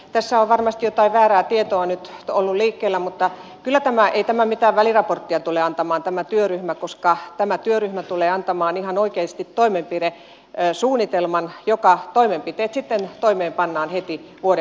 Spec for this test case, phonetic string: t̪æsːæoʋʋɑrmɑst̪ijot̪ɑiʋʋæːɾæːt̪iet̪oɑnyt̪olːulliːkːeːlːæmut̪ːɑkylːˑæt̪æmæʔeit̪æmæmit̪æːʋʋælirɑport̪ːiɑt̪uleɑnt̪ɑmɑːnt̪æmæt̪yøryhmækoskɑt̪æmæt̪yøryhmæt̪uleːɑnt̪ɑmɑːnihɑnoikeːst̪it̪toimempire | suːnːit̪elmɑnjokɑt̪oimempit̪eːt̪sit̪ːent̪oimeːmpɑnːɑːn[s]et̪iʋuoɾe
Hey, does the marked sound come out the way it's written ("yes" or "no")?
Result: no